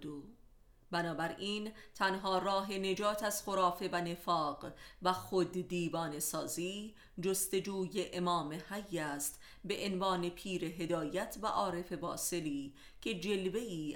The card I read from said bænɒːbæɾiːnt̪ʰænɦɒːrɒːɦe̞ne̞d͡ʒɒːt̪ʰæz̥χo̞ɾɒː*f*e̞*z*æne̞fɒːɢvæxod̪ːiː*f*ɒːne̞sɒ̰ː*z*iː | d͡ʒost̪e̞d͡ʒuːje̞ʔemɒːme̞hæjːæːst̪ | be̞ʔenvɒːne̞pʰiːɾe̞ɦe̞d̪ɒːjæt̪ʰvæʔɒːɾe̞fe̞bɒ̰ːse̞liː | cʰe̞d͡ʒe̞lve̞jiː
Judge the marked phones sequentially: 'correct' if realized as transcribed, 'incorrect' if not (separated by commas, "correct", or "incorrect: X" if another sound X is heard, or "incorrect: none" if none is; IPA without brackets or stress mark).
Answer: correct, incorrect: v, incorrect: v, correct